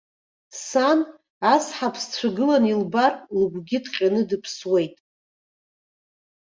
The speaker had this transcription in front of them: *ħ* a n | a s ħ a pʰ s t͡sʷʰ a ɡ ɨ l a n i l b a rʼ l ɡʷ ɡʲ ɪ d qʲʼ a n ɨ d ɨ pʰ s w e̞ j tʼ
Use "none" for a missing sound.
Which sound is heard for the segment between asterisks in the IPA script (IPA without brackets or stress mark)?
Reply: s